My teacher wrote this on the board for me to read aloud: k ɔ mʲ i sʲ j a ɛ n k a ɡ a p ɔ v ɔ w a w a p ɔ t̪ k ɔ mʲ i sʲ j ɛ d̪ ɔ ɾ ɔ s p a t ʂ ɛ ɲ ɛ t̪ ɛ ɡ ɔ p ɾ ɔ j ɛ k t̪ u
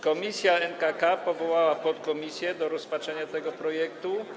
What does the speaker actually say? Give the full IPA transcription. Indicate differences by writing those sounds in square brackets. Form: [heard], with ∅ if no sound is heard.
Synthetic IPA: k ɔ mʲ i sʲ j a ɛ n k a [k] a p ɔ v ɔ w a w a p ɔ t̪ k ɔ mʲ i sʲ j ɛ d̪ ɔ ɾ ɔ s p a t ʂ ɛ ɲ [a] t̪ ɛ ɡ ɔ p ɾ ɔ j ɛ k t̪ u